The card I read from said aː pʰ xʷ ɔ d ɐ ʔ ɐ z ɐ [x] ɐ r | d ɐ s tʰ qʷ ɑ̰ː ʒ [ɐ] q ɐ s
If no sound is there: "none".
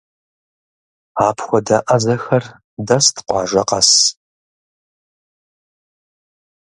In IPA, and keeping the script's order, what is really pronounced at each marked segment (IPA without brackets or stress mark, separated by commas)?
x, ɐ